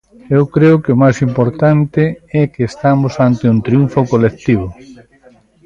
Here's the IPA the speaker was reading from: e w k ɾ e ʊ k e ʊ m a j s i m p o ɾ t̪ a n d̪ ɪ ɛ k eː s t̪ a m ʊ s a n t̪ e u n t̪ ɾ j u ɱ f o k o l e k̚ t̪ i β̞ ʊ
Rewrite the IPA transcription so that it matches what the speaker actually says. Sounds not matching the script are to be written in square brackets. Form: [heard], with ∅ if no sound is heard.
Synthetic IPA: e w k ɾ e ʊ k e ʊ m a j s i m p o ɾ t̪ a n [t̪] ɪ ɛ k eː s t̪ a m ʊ s a n t̪ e u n t̪ ɾ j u ɱ f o k o l e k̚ t̪ i β̞ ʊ

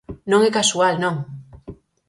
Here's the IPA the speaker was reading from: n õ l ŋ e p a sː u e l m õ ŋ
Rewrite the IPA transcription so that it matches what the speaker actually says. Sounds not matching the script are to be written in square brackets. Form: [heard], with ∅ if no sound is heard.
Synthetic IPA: n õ [∅] ŋ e [k] a [s] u [a] l [n] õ ŋ

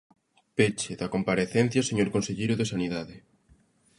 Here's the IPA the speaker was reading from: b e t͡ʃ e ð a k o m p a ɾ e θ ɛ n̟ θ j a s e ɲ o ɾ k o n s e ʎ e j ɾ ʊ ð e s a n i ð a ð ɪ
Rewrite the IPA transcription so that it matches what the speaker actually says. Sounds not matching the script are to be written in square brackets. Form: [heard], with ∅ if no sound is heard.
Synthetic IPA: [p] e t͡ʃ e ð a k o m p a ɾ e θ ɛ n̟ θ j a s e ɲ o ɾ k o n s e ʎ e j ɾ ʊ ð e s a n i ð a ð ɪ

